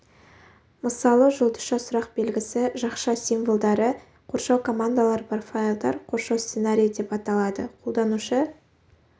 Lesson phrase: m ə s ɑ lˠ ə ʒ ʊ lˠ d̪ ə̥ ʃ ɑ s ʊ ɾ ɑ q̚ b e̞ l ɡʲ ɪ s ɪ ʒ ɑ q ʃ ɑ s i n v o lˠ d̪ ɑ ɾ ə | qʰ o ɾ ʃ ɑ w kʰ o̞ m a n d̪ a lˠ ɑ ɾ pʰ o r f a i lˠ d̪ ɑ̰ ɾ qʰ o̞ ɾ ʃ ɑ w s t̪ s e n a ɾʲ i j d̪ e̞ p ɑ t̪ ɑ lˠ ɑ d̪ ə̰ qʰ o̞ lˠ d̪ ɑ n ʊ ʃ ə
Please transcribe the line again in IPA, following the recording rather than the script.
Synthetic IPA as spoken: m ə s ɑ lˠ ə ʒ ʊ lˠ d̪ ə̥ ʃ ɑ s ʊ ɾ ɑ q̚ b e̞ l ɡʲ ɪ s ɪ ʒ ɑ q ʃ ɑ s i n v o lˠ d̪ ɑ ɾ ə | qʰ o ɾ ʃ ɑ w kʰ o̞ m a n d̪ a lˠ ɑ ɾ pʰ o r f a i lˠ d̪ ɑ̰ ɾ qʰ o̞ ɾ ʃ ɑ w s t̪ s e n a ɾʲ i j d̪ e̞ p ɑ t̪ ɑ lˠ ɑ d̪ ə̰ qʰ o̞ lˠ d̪ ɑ n u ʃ ə